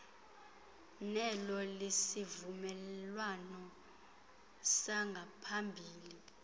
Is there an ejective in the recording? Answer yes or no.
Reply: no